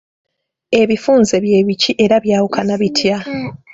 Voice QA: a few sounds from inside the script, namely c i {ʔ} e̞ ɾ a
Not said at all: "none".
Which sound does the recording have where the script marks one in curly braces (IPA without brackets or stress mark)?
ʔ